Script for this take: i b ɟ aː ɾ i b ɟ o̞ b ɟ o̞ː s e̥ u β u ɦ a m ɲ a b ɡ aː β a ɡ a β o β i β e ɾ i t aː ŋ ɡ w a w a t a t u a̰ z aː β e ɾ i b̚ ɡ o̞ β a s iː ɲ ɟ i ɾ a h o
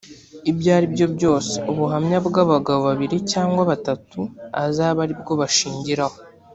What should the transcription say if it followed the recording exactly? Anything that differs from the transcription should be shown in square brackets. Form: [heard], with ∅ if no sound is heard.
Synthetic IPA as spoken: i b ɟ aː ɾ i b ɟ o̞ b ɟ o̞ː s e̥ u β u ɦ a m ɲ a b ɡ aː β a ɡ a β o β [a] β [i] ɾ i [c] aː ŋ ɡ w a [β] a t a t u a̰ z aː β [a] ɾ i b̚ ɡ o̞ β a [ʃ] iː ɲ ɟ i ɾ a h o